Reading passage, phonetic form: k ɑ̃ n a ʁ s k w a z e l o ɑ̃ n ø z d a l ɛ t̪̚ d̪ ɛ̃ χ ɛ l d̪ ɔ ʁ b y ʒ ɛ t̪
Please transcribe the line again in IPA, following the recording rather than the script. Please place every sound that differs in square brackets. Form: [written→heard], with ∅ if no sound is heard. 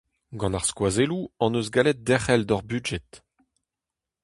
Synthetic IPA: [k→ɡ] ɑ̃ n a ʁ s k w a z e l [o→u] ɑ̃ n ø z [d→ɡ] a l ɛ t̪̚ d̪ [ɛ̃→ɛ] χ ɛ l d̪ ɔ ʁ b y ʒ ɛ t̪